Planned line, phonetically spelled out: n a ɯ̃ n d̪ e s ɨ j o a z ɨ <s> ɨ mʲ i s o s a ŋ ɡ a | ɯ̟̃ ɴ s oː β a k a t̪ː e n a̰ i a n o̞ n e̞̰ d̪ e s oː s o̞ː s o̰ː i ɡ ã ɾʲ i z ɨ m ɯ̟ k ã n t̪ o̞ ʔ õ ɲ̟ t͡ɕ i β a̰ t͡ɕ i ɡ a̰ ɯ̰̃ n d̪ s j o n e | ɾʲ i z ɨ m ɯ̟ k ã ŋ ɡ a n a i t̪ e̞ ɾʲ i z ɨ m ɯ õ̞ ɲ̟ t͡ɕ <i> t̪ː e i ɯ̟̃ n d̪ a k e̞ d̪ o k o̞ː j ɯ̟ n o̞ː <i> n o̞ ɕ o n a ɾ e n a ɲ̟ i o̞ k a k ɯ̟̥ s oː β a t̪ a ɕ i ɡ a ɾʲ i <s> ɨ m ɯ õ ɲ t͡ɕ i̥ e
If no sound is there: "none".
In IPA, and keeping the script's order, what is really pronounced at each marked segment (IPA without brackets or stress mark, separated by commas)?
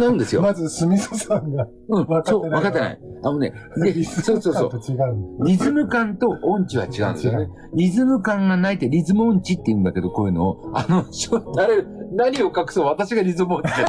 s, i, a, z